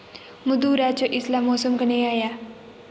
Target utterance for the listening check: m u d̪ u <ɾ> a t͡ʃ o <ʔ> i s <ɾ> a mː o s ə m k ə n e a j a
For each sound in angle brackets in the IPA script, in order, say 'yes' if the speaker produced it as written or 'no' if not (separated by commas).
yes, yes, no